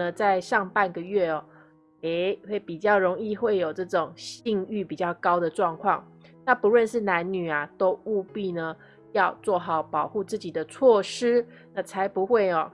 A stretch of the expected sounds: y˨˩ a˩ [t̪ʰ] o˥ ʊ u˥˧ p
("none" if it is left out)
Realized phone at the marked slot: t̪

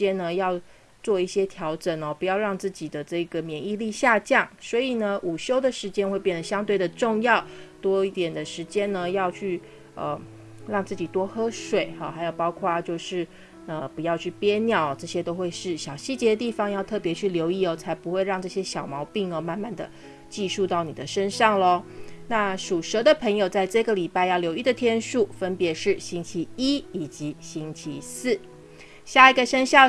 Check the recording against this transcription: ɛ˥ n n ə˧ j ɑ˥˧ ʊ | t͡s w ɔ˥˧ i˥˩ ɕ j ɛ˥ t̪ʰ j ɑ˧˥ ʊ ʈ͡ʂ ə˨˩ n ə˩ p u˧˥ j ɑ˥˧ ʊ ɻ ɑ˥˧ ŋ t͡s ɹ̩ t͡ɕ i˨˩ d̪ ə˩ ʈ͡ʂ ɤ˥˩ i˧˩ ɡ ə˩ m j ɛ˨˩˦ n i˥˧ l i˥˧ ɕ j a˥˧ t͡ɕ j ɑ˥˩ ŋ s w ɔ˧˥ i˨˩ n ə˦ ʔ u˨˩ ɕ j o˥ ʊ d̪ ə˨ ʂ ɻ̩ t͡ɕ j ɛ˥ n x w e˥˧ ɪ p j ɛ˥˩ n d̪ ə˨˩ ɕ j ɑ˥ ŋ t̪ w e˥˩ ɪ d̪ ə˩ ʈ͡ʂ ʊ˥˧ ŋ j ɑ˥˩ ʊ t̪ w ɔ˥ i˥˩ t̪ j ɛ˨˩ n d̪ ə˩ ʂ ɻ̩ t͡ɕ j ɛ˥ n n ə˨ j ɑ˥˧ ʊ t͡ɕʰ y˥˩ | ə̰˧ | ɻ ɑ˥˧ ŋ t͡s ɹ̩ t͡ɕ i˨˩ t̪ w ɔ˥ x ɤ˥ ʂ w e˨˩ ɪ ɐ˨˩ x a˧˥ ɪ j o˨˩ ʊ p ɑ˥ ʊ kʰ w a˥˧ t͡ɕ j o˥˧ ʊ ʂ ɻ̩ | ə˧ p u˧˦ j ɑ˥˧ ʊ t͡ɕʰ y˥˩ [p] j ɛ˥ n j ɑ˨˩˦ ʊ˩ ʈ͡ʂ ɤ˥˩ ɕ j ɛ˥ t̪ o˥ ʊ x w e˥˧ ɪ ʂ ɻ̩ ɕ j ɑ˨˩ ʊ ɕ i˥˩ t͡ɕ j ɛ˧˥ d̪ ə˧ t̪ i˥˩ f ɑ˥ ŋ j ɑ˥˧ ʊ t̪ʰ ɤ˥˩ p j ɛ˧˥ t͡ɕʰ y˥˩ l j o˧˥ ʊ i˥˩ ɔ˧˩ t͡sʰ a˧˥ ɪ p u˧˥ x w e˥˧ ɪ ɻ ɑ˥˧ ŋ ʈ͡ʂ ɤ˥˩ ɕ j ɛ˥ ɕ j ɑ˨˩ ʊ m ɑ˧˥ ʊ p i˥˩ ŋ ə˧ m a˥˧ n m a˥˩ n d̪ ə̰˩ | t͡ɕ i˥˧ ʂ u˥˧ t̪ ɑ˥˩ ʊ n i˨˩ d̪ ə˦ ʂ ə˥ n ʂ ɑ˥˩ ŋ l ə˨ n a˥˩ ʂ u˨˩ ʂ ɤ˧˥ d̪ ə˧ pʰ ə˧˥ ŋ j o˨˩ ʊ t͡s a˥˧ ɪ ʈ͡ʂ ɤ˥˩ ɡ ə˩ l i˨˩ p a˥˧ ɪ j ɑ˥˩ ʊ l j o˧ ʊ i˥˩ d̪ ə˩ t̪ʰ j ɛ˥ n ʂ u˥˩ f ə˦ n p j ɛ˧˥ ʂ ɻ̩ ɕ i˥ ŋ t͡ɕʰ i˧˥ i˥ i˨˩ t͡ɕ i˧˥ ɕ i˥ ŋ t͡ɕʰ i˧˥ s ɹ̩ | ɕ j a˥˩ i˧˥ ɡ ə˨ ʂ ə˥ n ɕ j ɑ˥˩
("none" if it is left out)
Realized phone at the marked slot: p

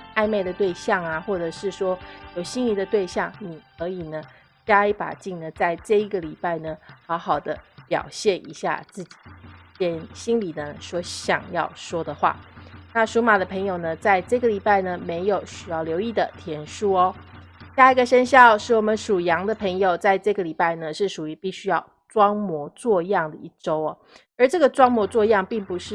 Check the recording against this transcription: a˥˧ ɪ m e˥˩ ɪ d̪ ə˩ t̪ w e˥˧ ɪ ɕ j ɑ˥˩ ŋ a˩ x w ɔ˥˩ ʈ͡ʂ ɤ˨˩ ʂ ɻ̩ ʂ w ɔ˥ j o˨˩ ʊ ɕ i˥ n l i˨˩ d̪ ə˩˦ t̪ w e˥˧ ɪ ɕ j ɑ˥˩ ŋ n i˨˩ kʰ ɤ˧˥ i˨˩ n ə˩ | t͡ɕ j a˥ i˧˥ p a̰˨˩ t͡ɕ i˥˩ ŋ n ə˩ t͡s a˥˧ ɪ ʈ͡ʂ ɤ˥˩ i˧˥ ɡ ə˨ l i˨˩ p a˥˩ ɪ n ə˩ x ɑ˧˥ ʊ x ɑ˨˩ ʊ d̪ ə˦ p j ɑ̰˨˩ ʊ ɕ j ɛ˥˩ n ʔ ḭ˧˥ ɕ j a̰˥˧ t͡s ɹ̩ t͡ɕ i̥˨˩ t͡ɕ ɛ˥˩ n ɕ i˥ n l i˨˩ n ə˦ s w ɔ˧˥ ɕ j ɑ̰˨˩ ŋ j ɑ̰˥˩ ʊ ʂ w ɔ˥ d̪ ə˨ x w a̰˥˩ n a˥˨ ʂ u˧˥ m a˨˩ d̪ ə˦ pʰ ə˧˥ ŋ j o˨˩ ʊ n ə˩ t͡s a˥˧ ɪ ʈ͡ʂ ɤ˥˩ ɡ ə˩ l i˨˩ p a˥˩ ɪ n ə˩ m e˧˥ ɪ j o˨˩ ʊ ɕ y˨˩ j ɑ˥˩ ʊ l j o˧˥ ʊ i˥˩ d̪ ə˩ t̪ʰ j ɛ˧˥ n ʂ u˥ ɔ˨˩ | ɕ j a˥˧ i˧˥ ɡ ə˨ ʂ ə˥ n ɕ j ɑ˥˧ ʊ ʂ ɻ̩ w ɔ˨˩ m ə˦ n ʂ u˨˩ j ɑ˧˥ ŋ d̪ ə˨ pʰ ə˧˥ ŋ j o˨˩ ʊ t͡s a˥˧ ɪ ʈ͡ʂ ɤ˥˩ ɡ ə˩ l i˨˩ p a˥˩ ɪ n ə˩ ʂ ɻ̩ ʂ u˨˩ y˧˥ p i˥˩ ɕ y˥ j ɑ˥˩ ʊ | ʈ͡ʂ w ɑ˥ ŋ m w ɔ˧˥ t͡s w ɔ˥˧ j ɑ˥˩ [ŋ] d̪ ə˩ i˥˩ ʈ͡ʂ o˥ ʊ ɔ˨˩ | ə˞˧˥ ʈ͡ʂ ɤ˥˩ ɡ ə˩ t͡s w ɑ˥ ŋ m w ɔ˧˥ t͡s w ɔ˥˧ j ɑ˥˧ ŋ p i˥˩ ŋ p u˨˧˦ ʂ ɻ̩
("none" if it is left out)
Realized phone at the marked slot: ŋ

